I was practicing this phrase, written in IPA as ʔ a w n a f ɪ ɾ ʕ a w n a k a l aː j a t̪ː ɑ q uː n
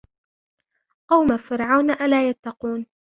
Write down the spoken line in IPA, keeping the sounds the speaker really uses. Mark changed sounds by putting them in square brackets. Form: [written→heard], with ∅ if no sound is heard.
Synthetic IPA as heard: ʔ a w [n→m] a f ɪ ɾ ʕ a w n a [k→ʔ] a l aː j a t̪ː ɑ q uː n